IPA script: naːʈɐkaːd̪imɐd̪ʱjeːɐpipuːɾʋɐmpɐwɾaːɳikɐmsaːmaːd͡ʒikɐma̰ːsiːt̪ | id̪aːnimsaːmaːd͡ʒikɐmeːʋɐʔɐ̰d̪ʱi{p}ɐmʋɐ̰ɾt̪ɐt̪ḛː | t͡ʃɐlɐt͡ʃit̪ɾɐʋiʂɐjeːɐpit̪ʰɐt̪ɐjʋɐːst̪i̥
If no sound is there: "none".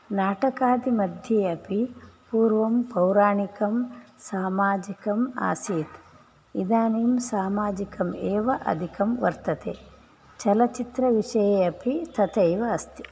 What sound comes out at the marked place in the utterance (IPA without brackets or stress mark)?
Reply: k